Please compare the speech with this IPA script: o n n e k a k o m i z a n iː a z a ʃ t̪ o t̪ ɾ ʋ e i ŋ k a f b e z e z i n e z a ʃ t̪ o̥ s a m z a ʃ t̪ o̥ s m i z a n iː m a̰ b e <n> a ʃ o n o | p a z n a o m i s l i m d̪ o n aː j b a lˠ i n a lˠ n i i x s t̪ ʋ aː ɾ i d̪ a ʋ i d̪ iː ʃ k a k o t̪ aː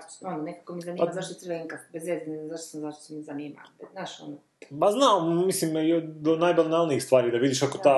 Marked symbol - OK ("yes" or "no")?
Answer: yes